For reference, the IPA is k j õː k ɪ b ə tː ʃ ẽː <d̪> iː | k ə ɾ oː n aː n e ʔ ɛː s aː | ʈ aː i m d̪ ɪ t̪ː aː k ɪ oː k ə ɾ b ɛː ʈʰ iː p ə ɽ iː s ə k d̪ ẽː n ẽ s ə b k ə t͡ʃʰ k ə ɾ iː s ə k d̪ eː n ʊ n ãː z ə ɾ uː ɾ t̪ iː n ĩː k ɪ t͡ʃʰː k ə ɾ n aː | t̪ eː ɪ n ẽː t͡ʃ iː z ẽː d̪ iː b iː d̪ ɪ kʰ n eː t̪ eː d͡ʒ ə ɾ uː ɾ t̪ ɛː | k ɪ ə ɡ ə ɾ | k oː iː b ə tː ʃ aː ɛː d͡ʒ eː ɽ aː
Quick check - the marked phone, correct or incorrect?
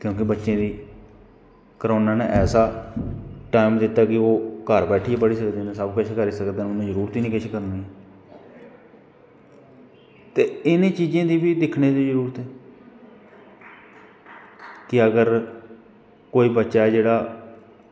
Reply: correct